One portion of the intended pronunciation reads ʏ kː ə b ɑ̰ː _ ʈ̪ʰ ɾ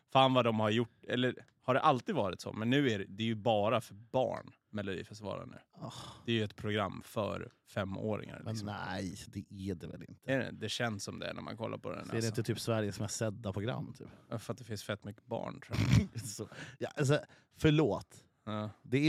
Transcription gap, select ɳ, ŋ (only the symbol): ɳ